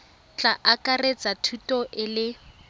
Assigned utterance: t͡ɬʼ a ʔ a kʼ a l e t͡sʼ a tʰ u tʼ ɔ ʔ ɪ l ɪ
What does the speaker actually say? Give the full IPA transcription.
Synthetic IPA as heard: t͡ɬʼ a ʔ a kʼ a r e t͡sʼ a tʰ u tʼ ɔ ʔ ɪ l ɪ